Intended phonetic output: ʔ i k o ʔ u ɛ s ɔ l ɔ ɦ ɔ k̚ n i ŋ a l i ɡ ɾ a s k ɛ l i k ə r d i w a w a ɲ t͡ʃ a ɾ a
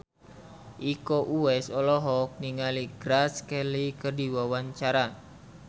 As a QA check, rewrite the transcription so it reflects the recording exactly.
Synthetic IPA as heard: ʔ i k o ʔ u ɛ s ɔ l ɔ ɦ ɔ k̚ n i ŋ a l i ɡ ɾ a s k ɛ l i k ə r d i w a w a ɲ t͡ʃ a ɾ a